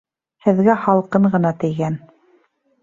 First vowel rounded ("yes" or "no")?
no